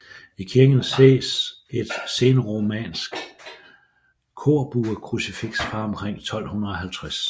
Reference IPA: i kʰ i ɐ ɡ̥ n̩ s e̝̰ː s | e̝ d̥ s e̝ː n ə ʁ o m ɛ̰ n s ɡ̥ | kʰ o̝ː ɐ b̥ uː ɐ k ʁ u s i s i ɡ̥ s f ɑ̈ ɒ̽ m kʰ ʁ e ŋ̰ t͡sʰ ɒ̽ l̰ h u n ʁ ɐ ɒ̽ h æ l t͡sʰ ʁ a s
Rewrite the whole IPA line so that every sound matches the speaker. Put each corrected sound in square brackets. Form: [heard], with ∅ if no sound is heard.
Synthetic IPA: i kʰ i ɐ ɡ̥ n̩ s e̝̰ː s | e̝ d̥ s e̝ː n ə ʁ o m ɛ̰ n s ɡ̥ | kʰ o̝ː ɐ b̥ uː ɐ [kʰ] ʁ u s i [f] i ɡ̥ s f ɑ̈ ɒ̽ m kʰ ʁ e ŋ̰ t͡sʰ ɒ̽ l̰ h u n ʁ ɐ ɒ̽ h æ l t͡sʰ ʁ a s